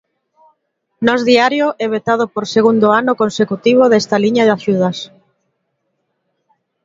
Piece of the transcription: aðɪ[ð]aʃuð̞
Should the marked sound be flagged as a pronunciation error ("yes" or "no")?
yes